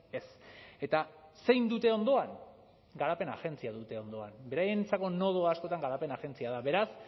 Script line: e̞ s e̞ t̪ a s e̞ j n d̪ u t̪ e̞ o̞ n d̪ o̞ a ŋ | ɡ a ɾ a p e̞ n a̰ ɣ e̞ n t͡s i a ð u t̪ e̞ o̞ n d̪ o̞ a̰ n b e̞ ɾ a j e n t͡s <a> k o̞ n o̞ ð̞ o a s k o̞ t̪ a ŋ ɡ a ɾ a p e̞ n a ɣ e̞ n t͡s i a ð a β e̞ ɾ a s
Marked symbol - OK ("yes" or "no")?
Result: yes